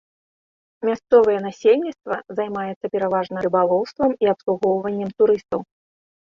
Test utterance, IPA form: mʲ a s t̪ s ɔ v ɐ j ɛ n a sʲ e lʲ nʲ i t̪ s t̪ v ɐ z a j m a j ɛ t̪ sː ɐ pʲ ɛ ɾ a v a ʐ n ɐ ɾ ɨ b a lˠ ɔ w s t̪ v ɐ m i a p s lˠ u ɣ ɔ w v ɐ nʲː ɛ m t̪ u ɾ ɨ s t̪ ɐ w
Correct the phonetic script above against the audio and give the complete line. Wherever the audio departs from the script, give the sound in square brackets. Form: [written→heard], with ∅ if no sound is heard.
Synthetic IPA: mʲ a s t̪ s ɔ v ɐ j ɛ n a sʲ e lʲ nʲ i t̪ s t̪ v ɐ z a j m a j ɛ t̪ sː ɐ pʲ ɛ ɾ a v a ʐ n ɐ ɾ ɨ b a lˠ ɔ w s t̪ v ɐ m i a p s lˠ u ɣ ɔ w v ɐ nʲː ɛ m t̪ u ɾ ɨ s t̪ ɐ w